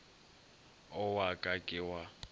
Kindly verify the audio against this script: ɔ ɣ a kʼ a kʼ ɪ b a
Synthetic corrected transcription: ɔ w a kʼ a kʼ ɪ w a